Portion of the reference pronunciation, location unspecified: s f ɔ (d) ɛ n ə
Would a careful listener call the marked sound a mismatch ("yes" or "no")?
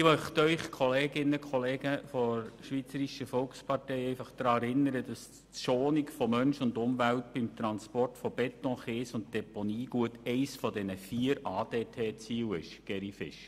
no